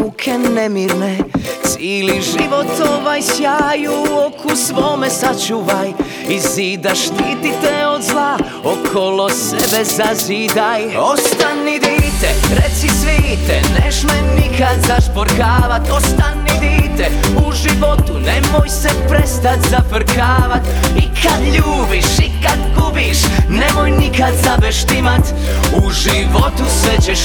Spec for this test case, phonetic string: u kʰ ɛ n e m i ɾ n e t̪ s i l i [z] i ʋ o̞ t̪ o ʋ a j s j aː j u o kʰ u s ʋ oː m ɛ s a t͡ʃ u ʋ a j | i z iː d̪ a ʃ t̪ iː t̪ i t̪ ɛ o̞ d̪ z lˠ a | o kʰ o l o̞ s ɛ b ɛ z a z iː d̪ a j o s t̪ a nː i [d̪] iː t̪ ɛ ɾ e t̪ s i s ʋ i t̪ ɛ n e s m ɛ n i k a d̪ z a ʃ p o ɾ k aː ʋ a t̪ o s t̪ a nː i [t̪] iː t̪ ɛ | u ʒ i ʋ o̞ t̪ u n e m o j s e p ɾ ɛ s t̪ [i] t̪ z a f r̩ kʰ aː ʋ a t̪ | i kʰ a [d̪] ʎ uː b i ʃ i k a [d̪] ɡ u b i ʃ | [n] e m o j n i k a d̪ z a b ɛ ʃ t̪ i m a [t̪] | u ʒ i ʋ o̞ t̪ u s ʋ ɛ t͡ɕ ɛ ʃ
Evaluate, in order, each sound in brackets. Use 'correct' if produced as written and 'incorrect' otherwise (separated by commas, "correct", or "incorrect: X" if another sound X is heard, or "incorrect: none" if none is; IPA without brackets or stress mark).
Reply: incorrect: ʒ, correct, incorrect: d̪, incorrect: a, correct, correct, correct, correct